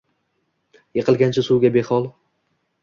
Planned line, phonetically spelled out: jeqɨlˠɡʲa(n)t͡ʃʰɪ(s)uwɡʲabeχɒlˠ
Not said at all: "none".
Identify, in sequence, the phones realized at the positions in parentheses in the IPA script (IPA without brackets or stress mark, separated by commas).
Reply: n, s